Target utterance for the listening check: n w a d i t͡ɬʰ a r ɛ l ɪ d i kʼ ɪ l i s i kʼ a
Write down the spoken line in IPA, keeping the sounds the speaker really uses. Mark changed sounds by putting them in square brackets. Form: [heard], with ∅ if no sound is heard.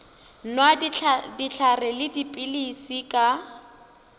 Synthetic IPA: n w a d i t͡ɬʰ a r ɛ l ɪ d i [pʼ] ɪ l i s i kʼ a